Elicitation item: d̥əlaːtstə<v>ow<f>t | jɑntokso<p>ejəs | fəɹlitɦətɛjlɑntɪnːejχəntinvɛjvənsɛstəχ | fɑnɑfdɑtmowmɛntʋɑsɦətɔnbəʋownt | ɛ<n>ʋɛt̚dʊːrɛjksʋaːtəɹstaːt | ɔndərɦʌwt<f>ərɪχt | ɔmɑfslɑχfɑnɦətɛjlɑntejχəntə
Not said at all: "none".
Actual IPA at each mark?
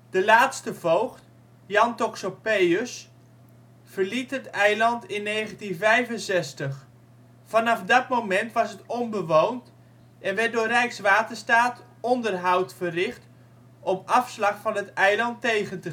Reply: v, χ, p, n, f

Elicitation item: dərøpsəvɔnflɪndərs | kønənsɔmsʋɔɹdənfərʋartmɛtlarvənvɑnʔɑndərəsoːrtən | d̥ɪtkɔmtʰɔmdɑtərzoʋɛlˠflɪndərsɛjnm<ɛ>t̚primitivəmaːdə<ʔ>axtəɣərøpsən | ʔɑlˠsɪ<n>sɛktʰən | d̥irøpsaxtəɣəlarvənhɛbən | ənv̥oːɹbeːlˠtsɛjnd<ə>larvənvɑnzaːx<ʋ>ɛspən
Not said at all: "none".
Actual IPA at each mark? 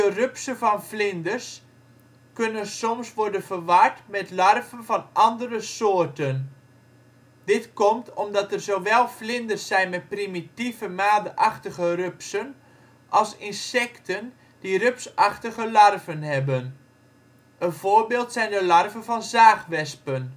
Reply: ɛ, ʔ, n, ə, ʋ

